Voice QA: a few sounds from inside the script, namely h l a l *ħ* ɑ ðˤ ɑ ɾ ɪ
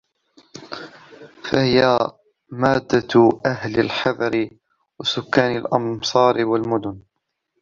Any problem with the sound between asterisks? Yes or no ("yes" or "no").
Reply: no